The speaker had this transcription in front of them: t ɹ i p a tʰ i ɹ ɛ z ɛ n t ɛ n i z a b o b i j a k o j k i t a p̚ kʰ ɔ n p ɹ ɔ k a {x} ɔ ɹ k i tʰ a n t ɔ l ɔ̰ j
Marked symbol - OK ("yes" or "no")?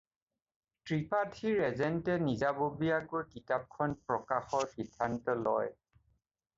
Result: yes